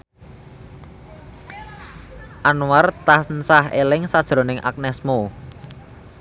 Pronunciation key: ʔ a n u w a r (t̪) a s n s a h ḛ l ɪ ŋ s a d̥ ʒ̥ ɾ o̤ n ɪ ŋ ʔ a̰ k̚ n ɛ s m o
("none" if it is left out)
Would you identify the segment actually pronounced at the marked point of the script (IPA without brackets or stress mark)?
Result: t̪